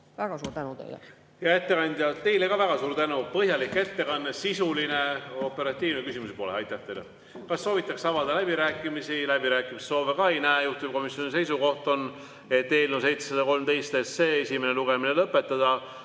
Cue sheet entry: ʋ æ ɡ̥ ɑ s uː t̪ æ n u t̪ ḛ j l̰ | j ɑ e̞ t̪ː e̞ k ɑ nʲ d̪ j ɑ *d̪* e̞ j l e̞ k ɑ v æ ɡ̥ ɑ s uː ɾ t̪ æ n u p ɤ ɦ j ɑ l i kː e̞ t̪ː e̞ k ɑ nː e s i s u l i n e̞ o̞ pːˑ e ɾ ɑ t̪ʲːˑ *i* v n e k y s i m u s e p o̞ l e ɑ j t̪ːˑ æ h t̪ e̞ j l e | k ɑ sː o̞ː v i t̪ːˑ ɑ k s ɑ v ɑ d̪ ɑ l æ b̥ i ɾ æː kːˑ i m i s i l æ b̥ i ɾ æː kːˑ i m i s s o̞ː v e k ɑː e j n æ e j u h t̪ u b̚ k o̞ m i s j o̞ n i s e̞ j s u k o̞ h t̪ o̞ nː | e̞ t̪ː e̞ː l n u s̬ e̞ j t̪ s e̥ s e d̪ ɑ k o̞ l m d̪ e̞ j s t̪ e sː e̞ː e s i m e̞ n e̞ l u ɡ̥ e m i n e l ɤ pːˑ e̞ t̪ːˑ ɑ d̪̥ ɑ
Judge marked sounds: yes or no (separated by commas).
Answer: no, no